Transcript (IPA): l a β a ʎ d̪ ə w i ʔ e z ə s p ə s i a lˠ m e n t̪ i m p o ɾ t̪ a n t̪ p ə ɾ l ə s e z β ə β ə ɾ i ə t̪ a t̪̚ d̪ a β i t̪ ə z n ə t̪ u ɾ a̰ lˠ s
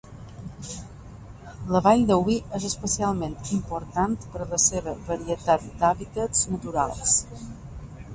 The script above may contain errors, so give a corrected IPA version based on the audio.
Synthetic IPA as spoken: l ə β a ʎ d̪ ə w i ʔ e z ə s p ə s i a lˠ m e n t̪ i m p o ɾ t̪ a n t̪ p ə ɾ l ə s e β ə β ə ɾ i ə t̪ a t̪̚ d̪ a β i t̪ ə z n ə t̪ u ɾ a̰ lˠ s